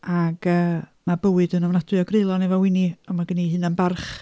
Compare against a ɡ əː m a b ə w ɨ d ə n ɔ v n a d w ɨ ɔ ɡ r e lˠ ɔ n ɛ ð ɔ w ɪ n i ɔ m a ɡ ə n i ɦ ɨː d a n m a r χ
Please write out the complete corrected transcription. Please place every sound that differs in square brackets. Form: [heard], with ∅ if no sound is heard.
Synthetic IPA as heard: a ɡ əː m a b ə w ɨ d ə n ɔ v n a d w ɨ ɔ ɡ r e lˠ ɔ n ɛ [v] ɔ w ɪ n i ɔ m a ɡ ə n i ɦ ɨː [n] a n [b] a r χ